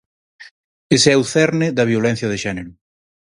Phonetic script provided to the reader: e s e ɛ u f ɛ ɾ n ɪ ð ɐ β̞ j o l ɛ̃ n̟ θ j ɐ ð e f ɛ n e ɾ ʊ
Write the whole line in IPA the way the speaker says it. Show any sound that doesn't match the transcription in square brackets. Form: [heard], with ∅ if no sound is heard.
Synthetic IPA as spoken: e s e ɛ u [θ] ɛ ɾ n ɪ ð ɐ β̞ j o l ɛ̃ n̟ θ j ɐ ð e [ʃ] ɛ n e ɾ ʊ